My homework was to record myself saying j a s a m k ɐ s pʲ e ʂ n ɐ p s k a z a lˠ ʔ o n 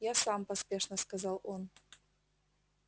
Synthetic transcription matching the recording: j a s a m p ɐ s pʲ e ʂ n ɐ s k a z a lˠ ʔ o n